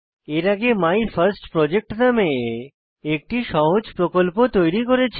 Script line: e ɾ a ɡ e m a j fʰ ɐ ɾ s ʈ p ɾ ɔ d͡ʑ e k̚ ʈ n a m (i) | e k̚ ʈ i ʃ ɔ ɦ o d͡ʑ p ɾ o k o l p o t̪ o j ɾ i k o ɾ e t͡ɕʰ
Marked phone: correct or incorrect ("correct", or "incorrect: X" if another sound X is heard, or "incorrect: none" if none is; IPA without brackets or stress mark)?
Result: incorrect: e